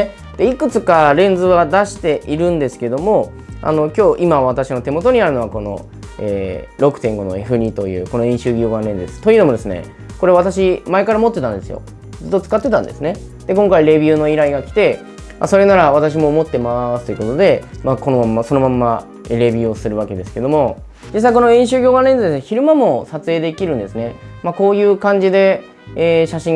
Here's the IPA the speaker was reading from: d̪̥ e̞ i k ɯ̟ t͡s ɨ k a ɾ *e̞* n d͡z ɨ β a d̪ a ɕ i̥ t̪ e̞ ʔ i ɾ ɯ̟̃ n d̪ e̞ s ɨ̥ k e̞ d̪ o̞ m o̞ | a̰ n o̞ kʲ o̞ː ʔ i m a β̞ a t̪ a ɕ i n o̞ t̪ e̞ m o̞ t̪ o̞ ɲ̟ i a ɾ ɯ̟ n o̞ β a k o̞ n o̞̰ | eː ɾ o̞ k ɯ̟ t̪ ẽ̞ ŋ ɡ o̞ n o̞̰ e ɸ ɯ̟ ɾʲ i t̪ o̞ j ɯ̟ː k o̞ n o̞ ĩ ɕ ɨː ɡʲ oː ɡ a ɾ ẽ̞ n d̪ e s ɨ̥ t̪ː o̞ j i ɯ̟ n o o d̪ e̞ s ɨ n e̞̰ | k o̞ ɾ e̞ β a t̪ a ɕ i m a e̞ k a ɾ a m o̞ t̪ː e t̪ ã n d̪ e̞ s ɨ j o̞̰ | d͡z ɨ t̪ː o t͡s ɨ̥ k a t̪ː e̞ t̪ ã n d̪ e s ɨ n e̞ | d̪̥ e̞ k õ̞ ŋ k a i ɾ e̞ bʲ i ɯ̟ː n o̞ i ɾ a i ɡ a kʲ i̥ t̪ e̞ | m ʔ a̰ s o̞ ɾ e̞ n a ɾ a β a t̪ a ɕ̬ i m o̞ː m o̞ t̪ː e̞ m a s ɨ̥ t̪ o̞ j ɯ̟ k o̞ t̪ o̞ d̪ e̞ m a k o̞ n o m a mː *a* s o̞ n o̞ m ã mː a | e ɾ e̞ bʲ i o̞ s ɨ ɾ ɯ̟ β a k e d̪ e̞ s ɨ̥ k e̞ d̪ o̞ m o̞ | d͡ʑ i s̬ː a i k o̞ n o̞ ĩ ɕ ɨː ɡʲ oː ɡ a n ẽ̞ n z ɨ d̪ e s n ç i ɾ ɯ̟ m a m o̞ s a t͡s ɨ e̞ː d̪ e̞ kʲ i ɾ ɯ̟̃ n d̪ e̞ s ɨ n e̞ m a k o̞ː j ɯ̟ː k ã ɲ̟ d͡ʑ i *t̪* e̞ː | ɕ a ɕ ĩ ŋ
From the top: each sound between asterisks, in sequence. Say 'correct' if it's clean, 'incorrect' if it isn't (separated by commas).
incorrect, correct, incorrect